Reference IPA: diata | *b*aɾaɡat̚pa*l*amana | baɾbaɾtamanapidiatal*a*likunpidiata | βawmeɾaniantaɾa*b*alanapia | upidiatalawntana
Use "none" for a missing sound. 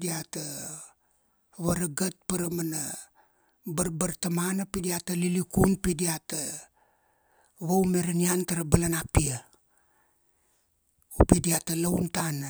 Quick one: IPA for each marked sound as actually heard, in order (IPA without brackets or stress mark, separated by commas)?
β, ɾ, i, b